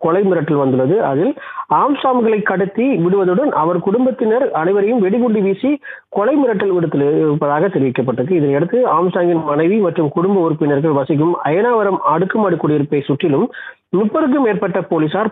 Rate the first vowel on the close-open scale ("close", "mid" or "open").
mid